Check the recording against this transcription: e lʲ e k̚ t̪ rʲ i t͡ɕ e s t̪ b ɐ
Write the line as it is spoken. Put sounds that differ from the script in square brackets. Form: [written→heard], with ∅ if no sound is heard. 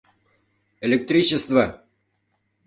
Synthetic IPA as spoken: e lʲ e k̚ t̪ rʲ i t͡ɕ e s t̪ [b→v] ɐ